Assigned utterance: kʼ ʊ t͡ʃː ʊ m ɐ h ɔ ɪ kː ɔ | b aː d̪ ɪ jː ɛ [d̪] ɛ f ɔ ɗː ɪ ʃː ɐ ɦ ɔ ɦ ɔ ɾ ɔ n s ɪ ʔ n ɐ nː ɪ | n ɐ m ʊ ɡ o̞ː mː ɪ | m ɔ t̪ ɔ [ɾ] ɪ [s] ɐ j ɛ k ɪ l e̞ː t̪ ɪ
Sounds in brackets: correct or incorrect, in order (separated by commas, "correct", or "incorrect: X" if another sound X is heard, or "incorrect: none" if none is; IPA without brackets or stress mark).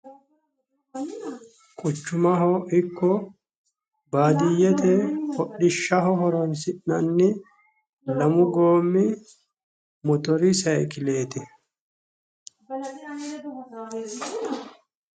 incorrect: t̪, correct, correct